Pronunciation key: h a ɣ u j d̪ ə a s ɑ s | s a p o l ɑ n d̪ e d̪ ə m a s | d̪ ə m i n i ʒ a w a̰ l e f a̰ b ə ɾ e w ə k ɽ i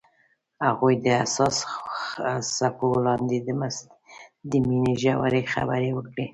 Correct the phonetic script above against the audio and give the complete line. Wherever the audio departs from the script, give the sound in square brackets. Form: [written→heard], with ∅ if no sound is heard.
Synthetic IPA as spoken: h a ɣ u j d̪ ə a s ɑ s | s a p o l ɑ n d̪ e d̪ ə m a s | d̪ ə m i n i ʒ a w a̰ [l→ɾ] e [f→x] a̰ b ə ɾ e w ə k ɽ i